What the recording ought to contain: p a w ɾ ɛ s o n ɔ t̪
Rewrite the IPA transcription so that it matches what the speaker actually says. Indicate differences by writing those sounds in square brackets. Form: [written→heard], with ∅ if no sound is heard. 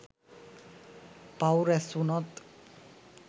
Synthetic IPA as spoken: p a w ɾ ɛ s [o→u] n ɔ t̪

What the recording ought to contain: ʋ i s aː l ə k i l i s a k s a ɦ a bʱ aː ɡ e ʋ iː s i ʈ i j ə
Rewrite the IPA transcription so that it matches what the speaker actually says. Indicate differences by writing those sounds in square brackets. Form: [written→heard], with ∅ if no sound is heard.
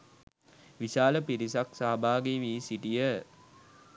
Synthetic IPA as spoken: ʋ i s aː l ə [k→p] i [l→ɾ] i s a k s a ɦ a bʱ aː ɡ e ʋ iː s i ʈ i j ə

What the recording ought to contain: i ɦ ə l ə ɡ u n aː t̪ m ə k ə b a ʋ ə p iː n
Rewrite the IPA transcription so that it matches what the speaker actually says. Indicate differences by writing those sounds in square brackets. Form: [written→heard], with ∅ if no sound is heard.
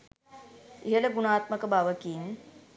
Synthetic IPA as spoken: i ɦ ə l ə ɡ u n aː t̪ m ə k ə b a ʋ ə [p→k] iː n

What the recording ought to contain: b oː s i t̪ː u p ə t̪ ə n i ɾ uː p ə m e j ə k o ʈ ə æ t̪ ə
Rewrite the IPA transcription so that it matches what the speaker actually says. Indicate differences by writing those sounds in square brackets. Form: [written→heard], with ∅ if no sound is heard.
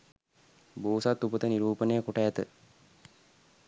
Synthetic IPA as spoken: b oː s [i→a] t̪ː u p ə t̪ ə n i ɾ uː p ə [m→n] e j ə k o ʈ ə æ t̪ ə

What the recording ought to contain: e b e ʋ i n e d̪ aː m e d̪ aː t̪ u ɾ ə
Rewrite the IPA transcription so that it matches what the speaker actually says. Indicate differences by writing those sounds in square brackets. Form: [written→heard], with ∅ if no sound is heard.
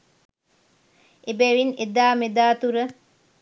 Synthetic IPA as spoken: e b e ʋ i n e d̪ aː m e d̪ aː t̪ u ɾ ə

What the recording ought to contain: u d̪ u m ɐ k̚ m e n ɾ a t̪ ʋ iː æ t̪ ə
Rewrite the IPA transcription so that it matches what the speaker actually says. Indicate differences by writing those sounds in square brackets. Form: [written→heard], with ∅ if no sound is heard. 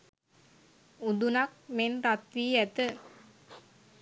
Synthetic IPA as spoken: u d̪ u [m→n] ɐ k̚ m e n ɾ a t̪ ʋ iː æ t̪ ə

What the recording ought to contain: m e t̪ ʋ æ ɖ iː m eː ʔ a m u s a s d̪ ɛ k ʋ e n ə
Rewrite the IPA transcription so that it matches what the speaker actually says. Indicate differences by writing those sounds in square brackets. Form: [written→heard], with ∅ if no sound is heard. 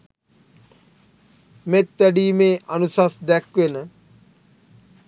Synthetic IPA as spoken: m e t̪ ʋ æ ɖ iː m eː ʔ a [m→n] u s a s d̪ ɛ k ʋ e n ə

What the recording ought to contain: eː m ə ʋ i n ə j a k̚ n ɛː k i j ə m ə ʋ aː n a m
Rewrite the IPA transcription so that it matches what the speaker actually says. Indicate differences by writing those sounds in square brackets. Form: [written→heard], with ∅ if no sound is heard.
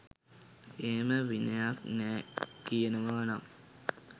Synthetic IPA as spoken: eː m ə ʋ i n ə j a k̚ n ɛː k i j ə [m→n] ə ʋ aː n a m

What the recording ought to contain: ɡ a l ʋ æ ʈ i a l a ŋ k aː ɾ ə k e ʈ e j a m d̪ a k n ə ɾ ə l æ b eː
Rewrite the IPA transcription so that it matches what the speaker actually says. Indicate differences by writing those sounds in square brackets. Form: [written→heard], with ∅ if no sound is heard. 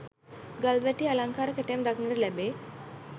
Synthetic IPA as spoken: ɡ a l ʋ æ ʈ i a l a ŋ k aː ɾ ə k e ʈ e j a m d̪ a k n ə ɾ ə l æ b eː

